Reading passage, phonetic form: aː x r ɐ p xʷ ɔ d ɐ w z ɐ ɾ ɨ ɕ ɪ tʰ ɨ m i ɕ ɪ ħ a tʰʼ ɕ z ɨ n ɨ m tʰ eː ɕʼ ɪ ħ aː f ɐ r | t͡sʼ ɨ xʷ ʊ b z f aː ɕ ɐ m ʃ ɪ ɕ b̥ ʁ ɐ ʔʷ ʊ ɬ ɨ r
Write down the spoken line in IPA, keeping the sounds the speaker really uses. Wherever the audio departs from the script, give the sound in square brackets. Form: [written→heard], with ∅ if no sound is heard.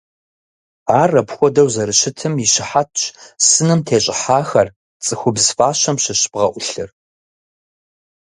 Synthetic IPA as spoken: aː [x→∅] r ɐ p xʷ ɔ d ɐ w z ɐ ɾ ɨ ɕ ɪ tʰ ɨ m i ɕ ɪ ħ a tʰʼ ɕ [z→s] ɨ n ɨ m tʰ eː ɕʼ ɪ ħ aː [f→x] ɐ r | t͡sʼ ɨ xʷ ʊ b z f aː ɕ ɐ m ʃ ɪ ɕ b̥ ʁ ɐ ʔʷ ʊ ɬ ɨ r